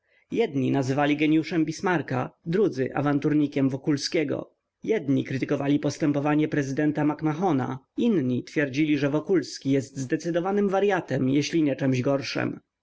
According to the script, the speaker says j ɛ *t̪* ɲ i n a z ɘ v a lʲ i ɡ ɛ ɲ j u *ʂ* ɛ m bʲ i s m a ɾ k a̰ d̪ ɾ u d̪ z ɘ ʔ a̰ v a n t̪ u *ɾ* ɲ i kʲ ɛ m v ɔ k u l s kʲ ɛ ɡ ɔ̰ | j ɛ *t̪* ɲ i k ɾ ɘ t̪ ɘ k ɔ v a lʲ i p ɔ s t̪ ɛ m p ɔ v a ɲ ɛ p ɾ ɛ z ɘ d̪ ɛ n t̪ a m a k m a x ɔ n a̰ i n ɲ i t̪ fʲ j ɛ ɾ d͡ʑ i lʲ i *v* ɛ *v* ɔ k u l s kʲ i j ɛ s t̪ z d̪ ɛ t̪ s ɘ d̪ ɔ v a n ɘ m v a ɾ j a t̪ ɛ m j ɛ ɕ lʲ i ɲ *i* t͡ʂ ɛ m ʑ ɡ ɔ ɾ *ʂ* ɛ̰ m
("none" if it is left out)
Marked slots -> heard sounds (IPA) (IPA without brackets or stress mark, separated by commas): d̪, ʂ, ɾ, d̪, ʐ, v, ɛ, ʂ